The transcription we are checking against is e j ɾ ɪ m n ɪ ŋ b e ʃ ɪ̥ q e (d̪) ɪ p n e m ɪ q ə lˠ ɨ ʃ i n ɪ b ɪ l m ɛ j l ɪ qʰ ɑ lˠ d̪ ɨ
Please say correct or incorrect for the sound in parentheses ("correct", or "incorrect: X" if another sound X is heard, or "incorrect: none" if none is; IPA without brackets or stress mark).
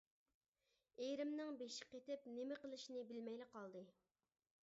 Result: incorrect: t̪